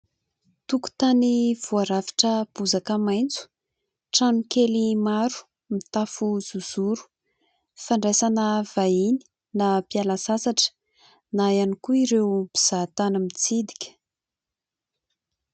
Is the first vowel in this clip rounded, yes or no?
yes